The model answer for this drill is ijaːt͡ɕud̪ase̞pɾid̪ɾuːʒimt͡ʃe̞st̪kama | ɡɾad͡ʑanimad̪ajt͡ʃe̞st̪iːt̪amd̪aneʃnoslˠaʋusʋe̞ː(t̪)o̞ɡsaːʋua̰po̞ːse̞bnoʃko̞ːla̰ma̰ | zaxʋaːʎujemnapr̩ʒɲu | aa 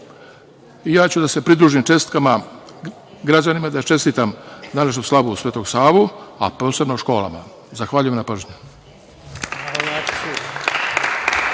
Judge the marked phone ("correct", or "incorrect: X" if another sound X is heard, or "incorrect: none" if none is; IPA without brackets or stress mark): correct